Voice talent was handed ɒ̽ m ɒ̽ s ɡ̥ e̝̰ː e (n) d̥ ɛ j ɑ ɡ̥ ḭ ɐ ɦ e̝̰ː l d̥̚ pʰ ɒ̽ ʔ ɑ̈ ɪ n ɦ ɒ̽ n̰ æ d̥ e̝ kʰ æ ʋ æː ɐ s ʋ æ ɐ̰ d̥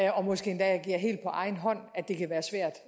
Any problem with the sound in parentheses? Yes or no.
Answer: no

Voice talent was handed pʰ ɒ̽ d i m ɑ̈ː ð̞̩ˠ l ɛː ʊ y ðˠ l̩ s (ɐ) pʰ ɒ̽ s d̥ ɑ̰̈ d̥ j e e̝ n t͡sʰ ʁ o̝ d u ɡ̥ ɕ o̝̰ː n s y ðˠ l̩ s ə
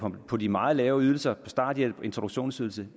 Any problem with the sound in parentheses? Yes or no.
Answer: no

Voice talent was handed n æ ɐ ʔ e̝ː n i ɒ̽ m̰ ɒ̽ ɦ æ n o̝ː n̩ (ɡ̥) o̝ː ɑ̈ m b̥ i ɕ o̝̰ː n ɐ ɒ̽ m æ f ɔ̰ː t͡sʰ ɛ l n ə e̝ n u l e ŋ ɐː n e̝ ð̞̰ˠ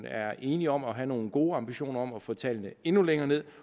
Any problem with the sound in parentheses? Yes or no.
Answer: no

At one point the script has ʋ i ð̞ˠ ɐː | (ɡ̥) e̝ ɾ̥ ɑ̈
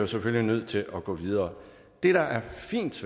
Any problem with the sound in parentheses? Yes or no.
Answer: yes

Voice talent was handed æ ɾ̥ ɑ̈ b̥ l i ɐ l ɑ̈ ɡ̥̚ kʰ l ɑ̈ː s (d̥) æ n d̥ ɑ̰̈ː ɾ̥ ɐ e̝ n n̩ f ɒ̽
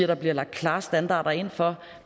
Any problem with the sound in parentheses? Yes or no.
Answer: no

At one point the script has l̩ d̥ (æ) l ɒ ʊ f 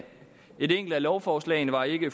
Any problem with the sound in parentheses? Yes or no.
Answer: no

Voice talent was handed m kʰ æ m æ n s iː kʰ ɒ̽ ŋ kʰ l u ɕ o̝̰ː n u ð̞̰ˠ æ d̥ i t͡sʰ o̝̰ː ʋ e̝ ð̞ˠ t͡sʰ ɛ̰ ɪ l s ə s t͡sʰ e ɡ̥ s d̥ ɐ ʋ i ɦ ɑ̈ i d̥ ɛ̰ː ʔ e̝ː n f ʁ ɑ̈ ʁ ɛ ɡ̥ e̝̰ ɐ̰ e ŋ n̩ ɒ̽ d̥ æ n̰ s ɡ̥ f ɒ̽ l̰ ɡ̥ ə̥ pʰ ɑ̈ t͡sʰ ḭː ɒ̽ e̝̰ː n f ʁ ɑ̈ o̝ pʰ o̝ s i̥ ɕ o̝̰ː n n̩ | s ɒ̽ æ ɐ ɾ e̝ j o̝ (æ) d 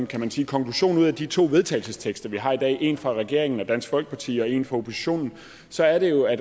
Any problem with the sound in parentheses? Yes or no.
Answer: no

